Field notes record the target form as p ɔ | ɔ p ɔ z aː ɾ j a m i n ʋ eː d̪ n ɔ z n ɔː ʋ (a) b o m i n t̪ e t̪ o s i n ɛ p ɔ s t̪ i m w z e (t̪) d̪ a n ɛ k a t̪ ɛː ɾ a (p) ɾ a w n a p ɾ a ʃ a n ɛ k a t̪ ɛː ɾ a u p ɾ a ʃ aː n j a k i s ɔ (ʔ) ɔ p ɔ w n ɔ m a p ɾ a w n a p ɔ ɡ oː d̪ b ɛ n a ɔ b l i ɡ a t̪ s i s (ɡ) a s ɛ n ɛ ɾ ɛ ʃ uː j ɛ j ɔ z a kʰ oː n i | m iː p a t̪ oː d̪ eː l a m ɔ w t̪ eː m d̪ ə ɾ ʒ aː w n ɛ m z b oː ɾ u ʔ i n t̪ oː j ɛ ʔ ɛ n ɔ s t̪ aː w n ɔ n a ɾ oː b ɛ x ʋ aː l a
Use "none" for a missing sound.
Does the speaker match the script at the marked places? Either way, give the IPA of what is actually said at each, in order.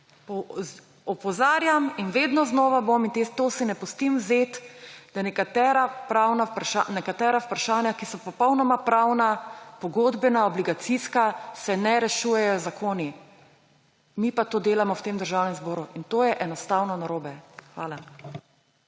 a, t̪, p, p, k

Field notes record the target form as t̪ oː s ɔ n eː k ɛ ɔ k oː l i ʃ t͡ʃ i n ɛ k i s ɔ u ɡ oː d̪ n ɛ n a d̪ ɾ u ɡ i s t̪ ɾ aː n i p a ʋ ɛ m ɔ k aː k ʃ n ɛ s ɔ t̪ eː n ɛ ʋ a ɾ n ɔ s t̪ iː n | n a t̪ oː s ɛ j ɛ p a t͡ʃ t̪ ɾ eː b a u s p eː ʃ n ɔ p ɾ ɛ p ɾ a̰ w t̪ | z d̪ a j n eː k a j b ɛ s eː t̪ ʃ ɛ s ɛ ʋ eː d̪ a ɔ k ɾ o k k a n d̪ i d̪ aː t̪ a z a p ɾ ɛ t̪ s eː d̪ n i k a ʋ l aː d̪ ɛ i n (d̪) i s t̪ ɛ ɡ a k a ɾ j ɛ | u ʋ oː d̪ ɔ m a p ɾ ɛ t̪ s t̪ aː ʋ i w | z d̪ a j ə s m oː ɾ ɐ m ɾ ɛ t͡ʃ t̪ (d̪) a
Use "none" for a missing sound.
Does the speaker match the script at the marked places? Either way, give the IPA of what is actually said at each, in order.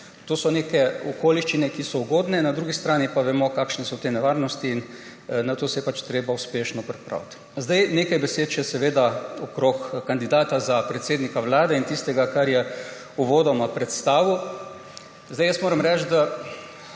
t̪, d̪

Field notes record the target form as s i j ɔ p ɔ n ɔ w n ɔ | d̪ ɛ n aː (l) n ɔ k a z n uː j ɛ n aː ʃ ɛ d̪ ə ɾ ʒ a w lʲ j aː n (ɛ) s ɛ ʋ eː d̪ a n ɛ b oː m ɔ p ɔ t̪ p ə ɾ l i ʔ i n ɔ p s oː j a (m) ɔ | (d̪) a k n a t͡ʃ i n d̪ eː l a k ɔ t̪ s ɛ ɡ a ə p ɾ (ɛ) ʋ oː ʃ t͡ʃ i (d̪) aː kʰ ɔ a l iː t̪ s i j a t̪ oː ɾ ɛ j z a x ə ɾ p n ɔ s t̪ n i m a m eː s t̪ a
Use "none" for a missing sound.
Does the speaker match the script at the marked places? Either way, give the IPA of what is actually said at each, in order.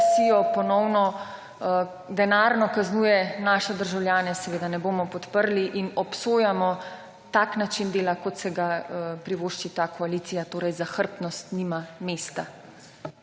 ɾ, ɛ, m, t̪, i, t̪

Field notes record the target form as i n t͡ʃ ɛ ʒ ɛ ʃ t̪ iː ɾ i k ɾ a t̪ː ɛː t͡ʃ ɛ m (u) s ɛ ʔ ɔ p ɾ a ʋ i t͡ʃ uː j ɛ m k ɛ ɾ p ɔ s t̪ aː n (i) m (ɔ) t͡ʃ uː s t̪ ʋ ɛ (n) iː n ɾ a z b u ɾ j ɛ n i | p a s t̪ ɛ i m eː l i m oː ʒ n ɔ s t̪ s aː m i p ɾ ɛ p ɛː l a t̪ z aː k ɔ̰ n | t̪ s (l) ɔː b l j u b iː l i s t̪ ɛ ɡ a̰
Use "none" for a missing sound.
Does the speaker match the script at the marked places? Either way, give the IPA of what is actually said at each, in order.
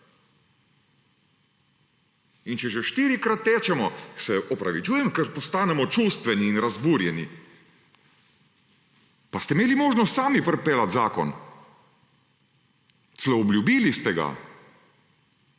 ɔ, ɛ, ɔ, n, l

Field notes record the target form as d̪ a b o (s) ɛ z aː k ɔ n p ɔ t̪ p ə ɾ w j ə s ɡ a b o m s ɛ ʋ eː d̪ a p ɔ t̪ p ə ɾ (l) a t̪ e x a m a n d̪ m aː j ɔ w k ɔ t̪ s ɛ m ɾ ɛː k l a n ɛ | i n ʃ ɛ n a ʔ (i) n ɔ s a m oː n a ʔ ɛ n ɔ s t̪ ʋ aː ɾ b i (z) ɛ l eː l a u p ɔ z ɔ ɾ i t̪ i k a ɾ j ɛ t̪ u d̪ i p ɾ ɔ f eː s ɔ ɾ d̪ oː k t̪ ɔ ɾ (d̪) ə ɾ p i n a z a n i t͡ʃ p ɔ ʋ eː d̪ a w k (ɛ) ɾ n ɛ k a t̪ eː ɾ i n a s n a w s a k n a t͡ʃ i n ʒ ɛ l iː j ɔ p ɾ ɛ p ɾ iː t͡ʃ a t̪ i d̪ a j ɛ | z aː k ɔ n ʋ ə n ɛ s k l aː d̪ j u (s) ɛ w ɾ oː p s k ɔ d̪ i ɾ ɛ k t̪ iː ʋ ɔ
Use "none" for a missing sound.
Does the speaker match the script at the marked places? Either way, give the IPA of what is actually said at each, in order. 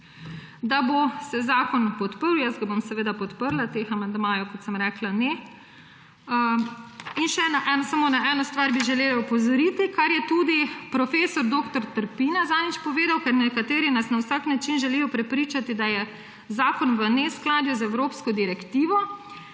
s, l, ɛ, ʒ, t̪, ɛ, z

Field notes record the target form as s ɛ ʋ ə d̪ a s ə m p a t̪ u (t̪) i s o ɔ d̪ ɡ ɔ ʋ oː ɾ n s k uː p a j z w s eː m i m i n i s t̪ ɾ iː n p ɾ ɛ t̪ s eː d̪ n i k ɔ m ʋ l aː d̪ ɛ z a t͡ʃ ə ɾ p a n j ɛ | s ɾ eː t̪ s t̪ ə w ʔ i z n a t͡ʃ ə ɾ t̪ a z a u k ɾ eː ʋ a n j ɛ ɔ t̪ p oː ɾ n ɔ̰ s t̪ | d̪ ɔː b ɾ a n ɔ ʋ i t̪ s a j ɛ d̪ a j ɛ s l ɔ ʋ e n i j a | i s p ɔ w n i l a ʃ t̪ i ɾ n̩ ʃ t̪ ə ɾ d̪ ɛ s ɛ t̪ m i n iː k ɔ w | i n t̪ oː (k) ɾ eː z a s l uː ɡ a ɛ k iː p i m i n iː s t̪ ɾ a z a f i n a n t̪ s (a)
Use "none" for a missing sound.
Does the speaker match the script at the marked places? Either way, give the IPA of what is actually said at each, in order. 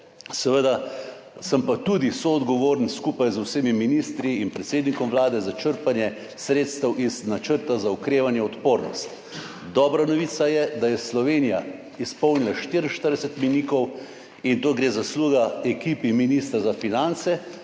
d̪, ɡ, ɛ

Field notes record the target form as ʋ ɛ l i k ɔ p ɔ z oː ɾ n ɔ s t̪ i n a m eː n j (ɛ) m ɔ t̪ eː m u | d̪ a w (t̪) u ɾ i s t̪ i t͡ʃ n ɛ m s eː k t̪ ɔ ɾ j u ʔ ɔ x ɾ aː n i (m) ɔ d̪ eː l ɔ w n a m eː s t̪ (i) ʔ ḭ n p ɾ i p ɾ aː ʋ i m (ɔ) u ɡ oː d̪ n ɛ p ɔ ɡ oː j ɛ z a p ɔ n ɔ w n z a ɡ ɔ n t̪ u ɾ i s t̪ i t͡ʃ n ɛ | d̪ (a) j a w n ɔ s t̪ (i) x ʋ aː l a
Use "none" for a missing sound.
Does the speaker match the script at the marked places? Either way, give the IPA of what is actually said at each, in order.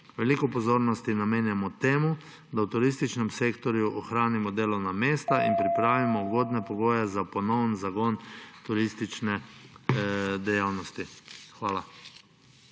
a, t̪, m, a, ɔ, ɛ, i

